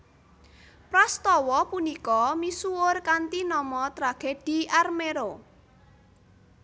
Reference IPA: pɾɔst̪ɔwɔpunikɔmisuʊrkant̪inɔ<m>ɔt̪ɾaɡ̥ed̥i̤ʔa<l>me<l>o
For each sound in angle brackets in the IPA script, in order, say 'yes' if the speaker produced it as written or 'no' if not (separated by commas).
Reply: yes, no, no